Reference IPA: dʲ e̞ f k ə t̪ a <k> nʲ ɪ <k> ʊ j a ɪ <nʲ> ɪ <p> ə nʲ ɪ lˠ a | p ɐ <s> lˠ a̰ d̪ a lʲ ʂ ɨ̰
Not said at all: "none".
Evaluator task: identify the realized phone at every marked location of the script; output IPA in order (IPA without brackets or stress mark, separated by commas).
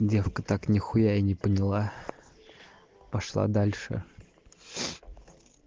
k, x, nʲ, p, ʂ